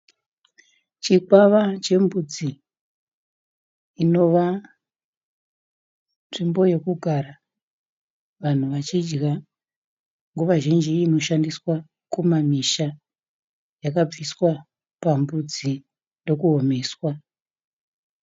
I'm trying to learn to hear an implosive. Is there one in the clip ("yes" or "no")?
no